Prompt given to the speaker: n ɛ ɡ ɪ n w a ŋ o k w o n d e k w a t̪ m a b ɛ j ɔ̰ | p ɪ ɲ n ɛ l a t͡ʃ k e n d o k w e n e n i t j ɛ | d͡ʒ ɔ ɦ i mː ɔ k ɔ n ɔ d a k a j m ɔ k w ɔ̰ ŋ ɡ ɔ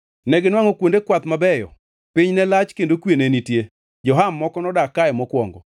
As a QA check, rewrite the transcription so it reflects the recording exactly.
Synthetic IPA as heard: n ɛ ɡ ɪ n w a ŋ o k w o n d e k w a t̪ m a b ɛ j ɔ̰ | p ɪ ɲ n ɛ l a t͡ʃ k e n d o k w e n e n i t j e | d͡ʒ ɔ ɦ a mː ɔ k ɔ n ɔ d a k a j m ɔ k w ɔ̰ ŋ ɡ ɔ